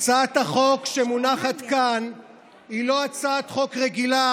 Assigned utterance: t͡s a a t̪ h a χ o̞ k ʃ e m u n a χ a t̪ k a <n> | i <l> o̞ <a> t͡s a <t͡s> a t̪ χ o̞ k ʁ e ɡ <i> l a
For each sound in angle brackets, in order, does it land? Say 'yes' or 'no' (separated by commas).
yes, yes, yes, no, yes